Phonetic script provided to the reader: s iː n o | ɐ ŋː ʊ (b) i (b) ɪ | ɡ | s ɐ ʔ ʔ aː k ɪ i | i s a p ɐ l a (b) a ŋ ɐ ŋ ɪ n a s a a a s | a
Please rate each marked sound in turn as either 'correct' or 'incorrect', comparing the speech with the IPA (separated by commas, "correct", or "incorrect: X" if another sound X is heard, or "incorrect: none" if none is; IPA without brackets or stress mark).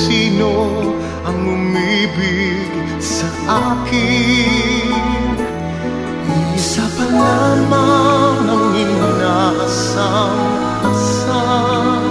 incorrect: m, correct, incorrect: m